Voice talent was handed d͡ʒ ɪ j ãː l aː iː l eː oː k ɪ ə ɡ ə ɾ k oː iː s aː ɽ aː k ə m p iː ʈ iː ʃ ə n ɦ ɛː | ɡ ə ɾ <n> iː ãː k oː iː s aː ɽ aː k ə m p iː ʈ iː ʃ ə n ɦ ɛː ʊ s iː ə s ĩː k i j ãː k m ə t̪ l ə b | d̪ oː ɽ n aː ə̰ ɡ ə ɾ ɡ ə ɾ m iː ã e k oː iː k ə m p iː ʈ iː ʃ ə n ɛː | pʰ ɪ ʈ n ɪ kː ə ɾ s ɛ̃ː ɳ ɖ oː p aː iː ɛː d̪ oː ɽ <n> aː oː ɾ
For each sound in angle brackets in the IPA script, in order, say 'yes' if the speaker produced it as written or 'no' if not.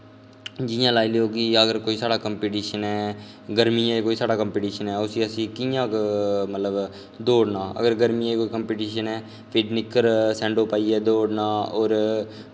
no, yes

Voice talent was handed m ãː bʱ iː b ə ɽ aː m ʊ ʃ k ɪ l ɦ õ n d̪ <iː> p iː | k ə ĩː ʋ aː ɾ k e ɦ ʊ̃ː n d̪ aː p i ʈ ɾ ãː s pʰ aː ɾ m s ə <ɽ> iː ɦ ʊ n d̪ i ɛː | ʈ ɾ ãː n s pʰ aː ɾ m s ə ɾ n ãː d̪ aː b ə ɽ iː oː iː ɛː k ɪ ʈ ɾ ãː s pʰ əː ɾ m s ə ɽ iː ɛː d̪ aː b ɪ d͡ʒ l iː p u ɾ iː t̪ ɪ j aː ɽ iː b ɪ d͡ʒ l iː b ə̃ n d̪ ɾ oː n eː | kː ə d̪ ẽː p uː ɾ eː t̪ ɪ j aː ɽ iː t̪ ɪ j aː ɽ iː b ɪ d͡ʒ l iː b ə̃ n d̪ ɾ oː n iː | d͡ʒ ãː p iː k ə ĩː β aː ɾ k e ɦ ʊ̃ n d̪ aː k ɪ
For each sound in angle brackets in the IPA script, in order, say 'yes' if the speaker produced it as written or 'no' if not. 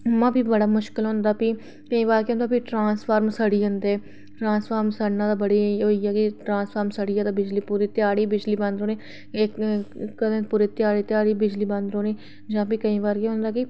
no, yes

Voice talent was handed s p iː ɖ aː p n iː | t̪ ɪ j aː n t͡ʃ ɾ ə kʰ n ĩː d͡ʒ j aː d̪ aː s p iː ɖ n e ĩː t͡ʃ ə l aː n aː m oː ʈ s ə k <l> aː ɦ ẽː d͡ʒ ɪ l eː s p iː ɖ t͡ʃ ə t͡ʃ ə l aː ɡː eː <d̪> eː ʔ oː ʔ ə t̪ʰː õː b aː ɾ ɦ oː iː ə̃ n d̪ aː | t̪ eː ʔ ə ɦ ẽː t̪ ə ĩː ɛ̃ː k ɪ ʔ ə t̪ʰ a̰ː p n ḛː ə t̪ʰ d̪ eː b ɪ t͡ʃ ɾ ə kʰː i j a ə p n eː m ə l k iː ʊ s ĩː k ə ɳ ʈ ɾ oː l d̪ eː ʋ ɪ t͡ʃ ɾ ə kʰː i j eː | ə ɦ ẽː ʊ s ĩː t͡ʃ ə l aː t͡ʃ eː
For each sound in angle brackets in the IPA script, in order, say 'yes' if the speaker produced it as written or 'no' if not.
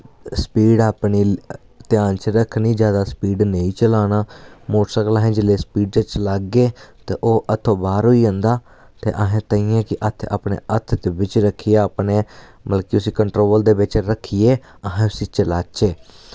yes, no

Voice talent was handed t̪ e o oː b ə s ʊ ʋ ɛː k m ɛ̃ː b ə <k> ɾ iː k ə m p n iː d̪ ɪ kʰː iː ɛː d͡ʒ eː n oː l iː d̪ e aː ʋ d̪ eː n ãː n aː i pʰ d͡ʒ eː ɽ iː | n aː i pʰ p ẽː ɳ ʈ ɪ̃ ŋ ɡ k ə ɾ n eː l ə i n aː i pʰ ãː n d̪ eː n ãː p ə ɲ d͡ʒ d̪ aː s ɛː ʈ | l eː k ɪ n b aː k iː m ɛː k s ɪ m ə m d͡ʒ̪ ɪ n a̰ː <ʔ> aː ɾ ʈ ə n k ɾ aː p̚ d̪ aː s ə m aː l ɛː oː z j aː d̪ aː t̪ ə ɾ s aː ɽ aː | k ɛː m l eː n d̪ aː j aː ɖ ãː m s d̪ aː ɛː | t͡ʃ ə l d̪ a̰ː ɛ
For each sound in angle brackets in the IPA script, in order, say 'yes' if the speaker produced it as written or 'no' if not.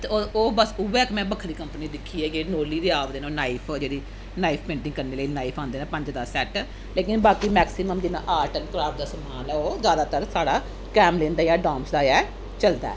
no, yes

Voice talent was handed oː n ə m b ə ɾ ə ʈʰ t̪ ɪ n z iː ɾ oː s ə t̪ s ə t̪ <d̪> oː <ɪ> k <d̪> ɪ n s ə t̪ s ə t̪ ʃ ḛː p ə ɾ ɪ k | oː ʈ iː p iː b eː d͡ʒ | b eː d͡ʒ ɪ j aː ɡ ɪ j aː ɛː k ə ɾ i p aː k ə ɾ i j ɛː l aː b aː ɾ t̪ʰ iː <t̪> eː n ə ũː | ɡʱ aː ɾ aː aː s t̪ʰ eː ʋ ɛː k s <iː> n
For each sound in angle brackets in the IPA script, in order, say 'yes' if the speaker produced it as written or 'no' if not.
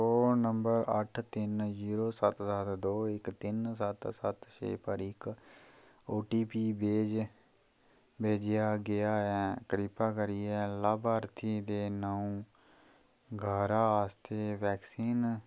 yes, yes, no, no, yes

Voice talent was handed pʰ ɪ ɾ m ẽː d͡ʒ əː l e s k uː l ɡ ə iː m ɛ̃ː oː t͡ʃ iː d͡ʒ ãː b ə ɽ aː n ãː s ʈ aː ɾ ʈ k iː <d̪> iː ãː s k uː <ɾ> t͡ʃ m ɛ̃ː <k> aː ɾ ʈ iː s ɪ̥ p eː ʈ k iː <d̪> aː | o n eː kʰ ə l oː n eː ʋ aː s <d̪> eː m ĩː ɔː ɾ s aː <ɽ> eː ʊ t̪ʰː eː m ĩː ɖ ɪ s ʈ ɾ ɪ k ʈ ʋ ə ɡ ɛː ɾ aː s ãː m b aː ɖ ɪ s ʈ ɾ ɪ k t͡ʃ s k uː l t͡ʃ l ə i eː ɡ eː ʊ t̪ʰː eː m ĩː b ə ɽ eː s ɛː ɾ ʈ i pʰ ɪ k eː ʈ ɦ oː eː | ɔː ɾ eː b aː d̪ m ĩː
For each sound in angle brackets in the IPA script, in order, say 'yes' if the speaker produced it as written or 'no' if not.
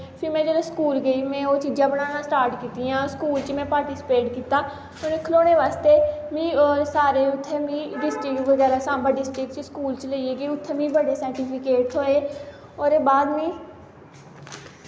no, no, no, no, no, no

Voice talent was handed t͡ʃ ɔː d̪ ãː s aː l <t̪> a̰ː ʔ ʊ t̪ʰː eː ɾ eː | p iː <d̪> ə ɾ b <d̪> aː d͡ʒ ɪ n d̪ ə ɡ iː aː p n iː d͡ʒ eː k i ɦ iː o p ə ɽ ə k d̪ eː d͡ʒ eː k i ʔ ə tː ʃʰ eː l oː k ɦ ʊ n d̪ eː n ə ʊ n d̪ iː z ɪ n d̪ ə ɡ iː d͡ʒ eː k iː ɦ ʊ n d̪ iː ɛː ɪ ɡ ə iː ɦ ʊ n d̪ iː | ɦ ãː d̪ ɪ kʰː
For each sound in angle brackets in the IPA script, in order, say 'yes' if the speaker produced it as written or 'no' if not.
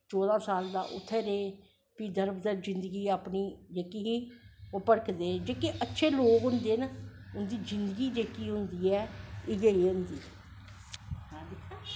no, yes, yes

